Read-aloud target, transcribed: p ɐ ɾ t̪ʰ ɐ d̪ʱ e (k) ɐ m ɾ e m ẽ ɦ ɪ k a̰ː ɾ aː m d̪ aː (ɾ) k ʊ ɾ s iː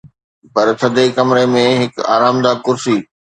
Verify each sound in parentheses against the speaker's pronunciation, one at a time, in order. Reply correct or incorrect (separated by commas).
correct, incorrect